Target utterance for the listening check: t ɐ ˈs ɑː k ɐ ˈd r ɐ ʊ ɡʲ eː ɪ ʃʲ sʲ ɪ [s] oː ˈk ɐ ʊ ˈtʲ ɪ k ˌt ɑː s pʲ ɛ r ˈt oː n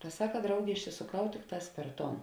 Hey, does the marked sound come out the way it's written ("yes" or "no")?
yes